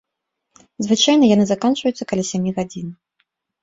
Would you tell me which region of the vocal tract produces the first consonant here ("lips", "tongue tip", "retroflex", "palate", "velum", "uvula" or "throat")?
tongue tip